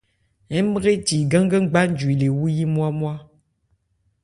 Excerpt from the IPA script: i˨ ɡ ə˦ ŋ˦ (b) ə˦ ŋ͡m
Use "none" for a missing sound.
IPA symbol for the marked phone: ɡ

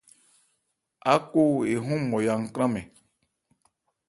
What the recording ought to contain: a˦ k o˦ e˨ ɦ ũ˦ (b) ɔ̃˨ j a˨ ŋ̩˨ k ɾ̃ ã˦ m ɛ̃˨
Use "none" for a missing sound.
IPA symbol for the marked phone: m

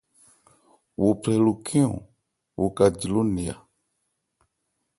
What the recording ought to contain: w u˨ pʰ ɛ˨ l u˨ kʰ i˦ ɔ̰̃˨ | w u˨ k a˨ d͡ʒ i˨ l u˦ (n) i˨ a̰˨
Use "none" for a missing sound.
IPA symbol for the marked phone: n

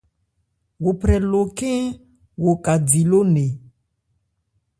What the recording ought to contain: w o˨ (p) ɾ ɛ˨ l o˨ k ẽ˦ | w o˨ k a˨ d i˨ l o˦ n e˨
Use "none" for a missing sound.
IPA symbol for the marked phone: p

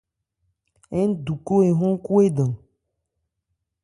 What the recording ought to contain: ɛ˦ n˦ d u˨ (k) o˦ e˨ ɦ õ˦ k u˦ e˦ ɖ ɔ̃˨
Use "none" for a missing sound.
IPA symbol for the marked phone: k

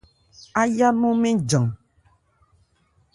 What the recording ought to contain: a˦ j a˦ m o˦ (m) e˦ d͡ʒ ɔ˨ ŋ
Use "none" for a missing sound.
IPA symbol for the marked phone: m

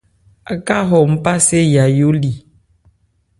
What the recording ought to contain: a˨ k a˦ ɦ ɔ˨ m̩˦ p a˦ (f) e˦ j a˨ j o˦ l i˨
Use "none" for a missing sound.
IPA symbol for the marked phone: s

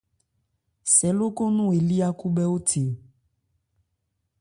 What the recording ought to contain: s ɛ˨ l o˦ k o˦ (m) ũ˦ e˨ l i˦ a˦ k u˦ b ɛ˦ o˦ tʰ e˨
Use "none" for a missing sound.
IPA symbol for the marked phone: n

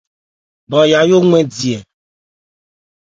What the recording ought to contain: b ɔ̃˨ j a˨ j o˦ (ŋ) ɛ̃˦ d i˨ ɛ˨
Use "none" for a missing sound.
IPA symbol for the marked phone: ŋ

